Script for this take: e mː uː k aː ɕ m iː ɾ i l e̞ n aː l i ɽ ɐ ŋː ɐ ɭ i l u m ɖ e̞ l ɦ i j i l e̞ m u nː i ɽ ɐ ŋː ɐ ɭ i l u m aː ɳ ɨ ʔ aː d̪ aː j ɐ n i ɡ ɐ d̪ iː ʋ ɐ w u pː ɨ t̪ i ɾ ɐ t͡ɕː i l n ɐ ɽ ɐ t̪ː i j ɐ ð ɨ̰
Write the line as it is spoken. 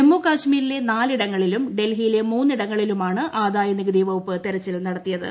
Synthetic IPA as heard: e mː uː k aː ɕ m iː ɾ i l e̞ n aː l i ɽ ɐ ŋː ɐ ɭ i l u m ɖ e̞ l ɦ i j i l e̞ m uː nː i ɽ ɐ ŋː ɐ ɭ i l u m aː ɳ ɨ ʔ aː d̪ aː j ɐ n i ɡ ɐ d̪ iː ʋ ɐ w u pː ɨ t̪ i ɾ ɐ t͡ɕː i l n ɐ ɽ ɐ t̪ː i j ɐ ð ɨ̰